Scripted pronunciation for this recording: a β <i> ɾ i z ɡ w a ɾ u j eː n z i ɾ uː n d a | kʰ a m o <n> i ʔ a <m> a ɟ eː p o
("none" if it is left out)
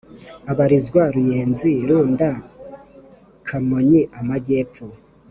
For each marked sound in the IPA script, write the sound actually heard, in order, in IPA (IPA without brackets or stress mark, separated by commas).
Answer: a, ɲ, m